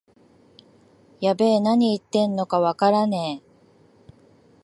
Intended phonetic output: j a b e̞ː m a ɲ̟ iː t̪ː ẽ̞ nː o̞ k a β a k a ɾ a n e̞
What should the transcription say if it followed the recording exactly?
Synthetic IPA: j a b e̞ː n a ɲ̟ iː t̪ː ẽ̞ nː o̞ k a β a k a ɾ a n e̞